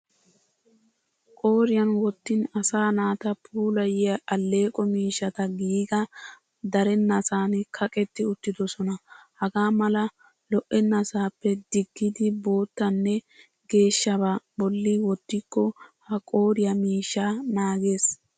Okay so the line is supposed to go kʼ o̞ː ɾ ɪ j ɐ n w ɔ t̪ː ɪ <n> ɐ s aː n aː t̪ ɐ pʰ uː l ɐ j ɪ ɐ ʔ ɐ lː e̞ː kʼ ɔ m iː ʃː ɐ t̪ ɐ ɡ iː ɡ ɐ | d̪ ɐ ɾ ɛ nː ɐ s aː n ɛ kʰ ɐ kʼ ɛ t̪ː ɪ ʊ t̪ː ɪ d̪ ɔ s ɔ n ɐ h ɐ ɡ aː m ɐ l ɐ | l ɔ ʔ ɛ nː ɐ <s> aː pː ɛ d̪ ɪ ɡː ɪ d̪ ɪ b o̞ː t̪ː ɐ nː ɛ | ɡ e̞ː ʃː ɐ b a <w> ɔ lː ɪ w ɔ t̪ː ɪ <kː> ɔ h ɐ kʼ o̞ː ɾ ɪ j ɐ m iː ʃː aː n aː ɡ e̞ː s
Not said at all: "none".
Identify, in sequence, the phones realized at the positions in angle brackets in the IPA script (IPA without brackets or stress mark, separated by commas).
n, s, b, kː